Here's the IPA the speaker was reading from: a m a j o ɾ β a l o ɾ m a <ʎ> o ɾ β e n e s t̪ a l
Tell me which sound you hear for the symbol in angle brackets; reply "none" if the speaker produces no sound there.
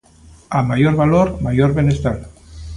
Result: j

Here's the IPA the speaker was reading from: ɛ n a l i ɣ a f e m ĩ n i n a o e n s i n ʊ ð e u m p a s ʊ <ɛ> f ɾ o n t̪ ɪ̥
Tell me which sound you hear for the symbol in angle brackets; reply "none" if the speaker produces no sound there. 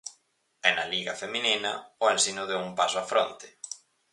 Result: a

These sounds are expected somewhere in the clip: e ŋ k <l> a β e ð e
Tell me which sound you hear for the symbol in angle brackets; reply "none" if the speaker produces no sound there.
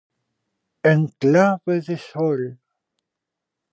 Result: l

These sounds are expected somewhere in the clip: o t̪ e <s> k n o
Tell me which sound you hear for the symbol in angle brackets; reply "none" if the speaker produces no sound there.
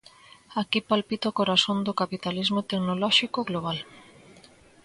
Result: none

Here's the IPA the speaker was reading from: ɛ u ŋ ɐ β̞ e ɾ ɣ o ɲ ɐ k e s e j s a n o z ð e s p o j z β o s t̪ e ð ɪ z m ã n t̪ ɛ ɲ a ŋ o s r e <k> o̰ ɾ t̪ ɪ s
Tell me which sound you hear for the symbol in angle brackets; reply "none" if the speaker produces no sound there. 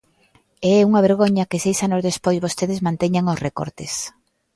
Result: k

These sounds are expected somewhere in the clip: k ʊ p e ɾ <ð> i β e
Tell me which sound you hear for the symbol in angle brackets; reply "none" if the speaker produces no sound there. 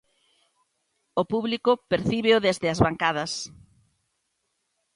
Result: θ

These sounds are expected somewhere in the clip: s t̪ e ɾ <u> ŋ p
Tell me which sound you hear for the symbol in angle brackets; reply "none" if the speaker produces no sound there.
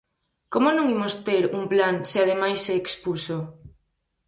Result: u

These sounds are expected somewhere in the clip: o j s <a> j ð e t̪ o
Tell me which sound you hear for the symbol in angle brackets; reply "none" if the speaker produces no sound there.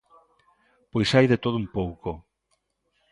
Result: a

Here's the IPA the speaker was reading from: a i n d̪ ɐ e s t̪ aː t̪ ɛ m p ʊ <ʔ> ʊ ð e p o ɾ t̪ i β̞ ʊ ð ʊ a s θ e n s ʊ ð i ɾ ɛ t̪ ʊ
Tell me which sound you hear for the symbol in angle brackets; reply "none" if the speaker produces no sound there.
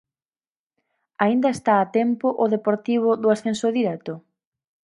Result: ʔ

